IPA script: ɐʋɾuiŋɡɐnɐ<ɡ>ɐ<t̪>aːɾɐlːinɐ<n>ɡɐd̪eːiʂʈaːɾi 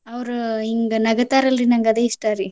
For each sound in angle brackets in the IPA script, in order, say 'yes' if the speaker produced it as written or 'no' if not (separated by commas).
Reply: yes, yes, no